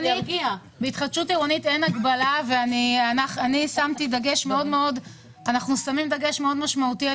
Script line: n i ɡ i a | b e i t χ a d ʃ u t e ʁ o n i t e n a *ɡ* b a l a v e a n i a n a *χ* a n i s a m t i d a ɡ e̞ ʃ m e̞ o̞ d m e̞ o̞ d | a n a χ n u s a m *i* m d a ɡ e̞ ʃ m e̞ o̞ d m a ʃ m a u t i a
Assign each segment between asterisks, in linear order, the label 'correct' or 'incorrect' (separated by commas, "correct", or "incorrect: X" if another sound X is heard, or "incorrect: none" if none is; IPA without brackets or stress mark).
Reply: correct, correct, correct